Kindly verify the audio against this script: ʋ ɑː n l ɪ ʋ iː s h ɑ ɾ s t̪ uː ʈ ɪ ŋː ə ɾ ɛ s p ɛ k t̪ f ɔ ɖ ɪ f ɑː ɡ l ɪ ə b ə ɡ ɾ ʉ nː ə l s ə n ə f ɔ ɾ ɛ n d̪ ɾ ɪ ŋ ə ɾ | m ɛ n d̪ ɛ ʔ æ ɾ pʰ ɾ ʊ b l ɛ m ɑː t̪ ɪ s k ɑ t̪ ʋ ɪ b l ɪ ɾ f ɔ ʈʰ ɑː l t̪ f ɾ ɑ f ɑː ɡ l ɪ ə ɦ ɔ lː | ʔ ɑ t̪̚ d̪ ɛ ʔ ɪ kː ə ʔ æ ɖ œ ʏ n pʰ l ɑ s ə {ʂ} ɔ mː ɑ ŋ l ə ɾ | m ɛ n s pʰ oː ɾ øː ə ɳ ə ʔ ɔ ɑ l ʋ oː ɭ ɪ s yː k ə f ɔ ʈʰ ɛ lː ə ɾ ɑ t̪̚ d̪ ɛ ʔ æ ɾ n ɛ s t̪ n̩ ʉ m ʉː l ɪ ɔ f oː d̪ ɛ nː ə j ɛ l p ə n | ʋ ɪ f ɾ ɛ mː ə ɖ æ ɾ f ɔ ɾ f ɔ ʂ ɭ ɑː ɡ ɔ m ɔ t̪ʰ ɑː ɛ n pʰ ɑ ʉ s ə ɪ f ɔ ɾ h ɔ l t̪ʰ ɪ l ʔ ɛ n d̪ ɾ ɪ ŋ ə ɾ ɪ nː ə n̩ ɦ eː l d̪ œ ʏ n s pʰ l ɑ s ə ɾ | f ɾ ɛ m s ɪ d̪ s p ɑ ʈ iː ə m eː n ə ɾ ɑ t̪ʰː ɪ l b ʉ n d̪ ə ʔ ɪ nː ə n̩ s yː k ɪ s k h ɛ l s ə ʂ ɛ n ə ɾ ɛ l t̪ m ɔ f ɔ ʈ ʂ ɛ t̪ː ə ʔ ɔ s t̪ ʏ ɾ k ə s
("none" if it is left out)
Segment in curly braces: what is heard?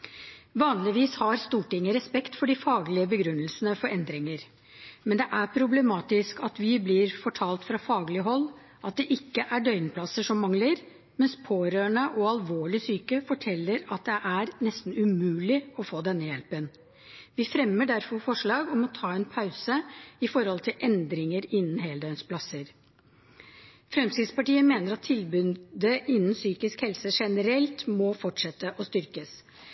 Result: ʂ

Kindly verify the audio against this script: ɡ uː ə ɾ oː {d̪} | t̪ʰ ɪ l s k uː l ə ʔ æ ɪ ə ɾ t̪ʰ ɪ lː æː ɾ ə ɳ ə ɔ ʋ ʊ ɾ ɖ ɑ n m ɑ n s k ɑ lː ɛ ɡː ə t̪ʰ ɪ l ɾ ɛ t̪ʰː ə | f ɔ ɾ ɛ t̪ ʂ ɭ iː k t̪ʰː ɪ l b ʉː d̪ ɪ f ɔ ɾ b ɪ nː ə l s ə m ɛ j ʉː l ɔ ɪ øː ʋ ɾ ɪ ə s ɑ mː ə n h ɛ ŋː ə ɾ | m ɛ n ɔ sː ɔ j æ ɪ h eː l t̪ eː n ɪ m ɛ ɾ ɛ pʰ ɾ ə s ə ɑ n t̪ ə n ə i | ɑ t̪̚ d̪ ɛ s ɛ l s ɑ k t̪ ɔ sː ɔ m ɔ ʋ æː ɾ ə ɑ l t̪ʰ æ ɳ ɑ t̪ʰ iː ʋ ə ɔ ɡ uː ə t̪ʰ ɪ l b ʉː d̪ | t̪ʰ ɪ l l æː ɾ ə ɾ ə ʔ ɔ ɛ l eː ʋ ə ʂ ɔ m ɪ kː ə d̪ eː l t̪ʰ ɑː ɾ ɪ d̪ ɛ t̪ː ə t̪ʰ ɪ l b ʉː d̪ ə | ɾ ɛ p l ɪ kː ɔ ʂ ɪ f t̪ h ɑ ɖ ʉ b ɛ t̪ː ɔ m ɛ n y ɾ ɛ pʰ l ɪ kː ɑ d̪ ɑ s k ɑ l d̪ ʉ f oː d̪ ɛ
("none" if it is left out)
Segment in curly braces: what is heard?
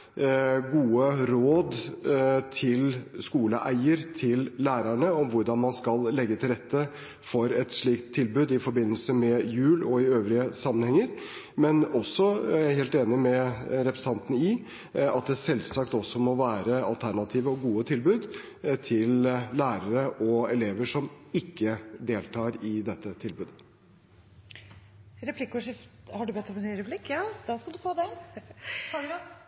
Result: d̪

